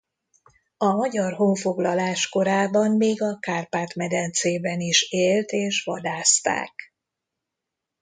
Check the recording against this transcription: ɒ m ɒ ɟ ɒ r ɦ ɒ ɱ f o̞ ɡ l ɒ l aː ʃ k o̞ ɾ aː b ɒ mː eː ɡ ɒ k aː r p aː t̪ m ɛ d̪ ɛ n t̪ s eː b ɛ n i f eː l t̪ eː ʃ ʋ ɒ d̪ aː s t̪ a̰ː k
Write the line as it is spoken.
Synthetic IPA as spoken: ɒ m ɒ ɟ ɒ r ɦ o ɱ f o̞ ɡ l ɒ l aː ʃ k o̞ ɾ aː b ɒ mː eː ɡ ɒ k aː r p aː t̪ m ɛ d̪ ɛ n t̪ s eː b ɛ n i ʃ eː l t̪ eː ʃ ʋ ɒ d̪ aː s t̪ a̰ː k